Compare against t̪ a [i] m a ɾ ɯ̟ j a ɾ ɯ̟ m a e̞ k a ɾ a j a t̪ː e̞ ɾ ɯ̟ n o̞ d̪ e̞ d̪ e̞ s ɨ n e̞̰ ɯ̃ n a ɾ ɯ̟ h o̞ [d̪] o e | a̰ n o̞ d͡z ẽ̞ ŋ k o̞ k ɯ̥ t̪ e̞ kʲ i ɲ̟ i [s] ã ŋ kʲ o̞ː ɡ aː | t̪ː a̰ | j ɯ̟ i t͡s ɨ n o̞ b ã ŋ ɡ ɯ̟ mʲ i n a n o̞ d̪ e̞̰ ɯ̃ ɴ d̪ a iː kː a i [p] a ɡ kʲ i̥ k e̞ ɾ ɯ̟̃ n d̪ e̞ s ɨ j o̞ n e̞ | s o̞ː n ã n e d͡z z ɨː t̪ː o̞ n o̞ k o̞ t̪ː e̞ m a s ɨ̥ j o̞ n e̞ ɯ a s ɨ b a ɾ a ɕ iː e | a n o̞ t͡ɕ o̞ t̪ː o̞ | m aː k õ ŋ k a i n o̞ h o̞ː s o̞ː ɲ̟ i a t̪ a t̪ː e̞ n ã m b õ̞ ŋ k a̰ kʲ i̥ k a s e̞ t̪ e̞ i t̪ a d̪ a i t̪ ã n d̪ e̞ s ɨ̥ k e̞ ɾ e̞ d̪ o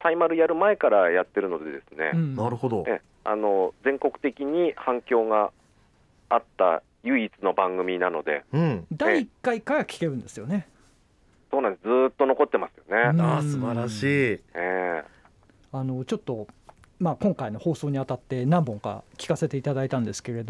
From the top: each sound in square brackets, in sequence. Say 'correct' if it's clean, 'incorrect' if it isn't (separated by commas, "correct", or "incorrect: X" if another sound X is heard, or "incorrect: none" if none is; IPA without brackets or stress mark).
correct, correct, incorrect: h, incorrect: k